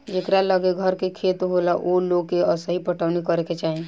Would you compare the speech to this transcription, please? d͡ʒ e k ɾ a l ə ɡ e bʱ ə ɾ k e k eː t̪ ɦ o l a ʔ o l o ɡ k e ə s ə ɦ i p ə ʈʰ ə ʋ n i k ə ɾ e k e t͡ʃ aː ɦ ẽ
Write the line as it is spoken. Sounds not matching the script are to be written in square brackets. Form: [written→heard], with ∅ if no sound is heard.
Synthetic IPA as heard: d͡ʒ e k ɾ a l ə ɡ e [bʱ→ɡʱ] ə ɾ k e [k→kʰ] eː t̪ ɦ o l a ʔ o l o ɡ k e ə s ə ɦ i p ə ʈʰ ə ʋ n i k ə ɾ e k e t͡ʃ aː ɦ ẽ